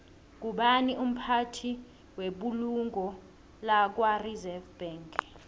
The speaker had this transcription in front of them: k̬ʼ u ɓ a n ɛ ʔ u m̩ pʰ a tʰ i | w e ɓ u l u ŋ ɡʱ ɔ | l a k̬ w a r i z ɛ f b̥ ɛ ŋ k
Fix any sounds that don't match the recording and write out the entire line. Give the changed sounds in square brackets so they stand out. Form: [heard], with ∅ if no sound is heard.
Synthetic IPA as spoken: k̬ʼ u ɓ a n [i] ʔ u m̩ pʰ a tʰ i | w e ɓ u l u ŋ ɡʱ ɔ | l a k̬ w a r i z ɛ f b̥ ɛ ŋ k